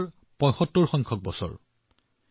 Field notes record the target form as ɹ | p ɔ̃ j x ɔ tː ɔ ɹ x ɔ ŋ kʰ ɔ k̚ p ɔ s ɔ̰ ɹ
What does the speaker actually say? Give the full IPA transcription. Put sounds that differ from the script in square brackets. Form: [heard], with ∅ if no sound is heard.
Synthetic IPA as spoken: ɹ | p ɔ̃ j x ɔ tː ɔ ɹ x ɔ ŋ kʰ ɔ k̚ [b] ɔ s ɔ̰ ɹ